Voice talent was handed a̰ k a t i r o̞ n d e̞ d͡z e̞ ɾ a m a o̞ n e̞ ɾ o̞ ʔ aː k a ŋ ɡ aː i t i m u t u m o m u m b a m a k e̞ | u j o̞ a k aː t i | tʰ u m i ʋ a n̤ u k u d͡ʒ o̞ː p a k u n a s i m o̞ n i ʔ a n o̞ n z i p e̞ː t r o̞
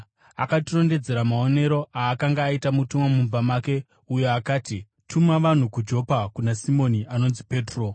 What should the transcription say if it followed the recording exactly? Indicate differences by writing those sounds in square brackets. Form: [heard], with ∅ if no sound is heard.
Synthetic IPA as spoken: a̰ k a t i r o̞ n d e̞ d͡z e̞ ɾ a m a o̞ n e̞ ɾ o̞ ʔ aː k a ŋ ɡ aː i t [a] m u t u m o m u m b a m a k e̞ | u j o̞ a k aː t i | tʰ u m [a] ʋ a n̤ u k u d͡ʒ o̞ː p a k u n a s i m o̞ n i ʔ a n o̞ n z i p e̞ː t r o̞